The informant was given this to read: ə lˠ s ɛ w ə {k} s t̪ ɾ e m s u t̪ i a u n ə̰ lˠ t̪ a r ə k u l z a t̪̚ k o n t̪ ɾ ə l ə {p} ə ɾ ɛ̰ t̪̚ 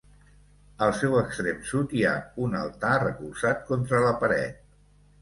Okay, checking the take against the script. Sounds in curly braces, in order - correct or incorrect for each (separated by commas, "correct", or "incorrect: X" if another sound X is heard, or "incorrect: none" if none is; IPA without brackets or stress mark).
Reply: correct, correct